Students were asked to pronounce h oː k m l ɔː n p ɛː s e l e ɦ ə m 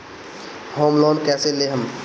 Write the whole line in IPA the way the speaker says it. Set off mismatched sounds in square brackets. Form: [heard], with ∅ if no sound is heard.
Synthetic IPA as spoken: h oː [∅] m l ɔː n [k] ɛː s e l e ɦ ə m

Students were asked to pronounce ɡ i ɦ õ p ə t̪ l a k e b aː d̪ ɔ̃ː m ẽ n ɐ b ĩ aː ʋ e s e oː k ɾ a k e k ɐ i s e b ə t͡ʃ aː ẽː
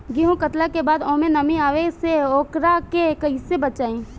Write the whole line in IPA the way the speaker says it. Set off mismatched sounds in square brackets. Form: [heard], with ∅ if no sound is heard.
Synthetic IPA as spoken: ɡ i ɦ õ [k] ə t̪ l a k e b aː d̪ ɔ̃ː m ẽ n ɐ [m] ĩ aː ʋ e s e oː k ɾ a k e k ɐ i s e b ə t͡ʃ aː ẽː

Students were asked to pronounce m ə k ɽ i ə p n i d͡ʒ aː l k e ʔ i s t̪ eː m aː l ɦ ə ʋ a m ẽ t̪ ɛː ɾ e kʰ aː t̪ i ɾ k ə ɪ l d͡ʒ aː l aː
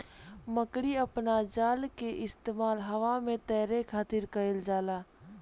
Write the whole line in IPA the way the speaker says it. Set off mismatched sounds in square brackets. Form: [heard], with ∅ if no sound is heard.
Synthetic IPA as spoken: m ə k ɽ i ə p n [a] d͡ʒ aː l k e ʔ [ɪ] s t̪ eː m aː l ɦ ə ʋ a m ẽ t̪ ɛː ɾ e kʰ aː t̪ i ɾ k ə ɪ l d͡ʒ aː l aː

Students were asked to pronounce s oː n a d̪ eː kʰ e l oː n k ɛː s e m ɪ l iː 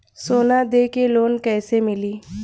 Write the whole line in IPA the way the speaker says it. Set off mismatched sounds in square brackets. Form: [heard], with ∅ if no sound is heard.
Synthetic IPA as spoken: s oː n a d̪ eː [k] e l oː n k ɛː s e m ɪ l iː

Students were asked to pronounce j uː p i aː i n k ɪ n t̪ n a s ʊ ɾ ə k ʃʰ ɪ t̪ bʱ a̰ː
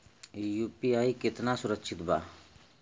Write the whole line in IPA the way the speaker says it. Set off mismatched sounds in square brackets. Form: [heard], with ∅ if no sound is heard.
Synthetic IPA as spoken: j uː p i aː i [∅] k ɪ [∅] t̪ n a s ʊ ɾ ə k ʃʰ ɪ t̪ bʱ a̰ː

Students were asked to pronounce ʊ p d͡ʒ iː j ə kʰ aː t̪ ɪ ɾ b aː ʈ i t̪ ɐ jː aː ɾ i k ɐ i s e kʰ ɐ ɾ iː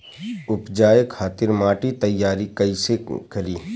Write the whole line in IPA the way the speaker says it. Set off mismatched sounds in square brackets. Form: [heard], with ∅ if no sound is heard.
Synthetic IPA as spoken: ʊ p d͡ʒ [aː] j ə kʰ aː t̪ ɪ ɾ [m] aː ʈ i t̪ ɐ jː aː ɾ i k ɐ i s e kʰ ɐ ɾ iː

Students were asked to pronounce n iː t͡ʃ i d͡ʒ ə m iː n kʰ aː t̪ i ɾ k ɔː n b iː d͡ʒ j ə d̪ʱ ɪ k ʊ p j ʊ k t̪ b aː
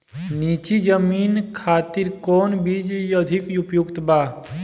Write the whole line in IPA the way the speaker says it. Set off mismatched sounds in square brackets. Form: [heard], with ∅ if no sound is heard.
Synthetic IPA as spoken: n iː t͡ʃ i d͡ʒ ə m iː n kʰ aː t̪ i ɾ k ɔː n b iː d͡ʒ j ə d̪ʱ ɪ k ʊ p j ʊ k t̪ b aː

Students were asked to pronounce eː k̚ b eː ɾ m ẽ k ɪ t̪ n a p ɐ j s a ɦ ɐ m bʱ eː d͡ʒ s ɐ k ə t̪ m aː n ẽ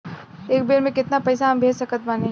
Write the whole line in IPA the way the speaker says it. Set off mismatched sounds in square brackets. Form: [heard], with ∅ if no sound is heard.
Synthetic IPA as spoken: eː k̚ b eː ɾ m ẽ k ɪ t̪ n a p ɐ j s a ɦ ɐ m bʱ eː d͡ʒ s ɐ k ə t̪ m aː n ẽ

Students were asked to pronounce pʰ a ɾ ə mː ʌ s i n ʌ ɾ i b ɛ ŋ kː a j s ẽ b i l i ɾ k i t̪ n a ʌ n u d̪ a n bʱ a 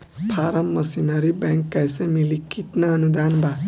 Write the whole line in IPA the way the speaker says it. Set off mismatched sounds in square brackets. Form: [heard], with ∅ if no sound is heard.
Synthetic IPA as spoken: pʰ a ɾ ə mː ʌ s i n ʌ ɾ i b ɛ ŋ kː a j s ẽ [m] i l i [∅] k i t̪ n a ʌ n u d̪ a n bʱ a

